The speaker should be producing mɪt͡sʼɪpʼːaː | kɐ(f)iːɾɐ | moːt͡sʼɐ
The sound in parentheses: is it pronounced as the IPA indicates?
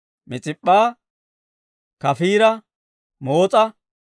yes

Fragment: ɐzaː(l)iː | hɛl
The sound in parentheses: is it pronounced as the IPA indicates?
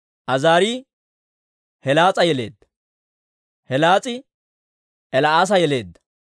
no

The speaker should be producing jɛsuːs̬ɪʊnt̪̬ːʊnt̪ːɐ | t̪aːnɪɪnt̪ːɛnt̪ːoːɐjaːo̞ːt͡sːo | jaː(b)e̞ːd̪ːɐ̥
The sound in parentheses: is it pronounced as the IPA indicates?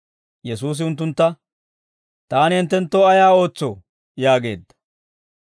no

